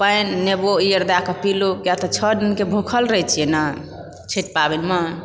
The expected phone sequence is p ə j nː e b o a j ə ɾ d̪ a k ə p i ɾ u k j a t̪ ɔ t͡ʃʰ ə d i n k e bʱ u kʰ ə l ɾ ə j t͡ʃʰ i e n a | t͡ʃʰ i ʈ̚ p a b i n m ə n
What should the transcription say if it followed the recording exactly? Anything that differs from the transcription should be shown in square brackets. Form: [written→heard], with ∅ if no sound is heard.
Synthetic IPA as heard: p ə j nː e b o [a→i] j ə ɾ d̪ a k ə p i [ɾ→l] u k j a t̪ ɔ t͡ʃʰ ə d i n k e bʱ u kʰ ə l ɾ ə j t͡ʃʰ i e n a | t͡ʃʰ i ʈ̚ p a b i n m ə n